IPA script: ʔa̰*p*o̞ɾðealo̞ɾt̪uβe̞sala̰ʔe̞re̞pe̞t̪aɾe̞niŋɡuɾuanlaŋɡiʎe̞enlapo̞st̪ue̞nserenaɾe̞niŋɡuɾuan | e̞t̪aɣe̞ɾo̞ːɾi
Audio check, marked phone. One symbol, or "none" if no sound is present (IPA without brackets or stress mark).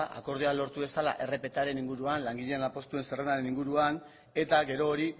k